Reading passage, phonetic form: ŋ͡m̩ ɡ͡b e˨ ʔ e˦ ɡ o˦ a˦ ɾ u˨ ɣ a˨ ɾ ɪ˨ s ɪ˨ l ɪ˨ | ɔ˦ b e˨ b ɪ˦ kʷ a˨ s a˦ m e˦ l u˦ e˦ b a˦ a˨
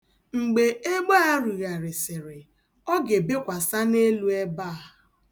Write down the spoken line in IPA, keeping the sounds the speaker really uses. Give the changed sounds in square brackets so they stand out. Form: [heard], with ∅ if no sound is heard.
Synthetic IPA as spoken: ŋ͡m̩ ɡ͡b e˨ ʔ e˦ [ɡ͡b] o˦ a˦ ɾ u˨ ɣ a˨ ɾ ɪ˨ s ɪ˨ [ɾ] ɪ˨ | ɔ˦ [ɡ] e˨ b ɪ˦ kʷ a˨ s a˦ [n] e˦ l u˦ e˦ b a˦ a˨